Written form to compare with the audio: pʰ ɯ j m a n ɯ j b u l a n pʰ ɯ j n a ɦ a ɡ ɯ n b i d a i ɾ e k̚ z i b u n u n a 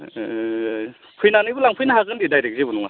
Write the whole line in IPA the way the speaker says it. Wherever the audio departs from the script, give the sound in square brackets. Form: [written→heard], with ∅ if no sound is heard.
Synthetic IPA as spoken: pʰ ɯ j [m→n] a n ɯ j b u l a [n→ŋ] pʰ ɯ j n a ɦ a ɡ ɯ n [b→d] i d a [i→j] ɾ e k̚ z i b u n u [n→ŋ] a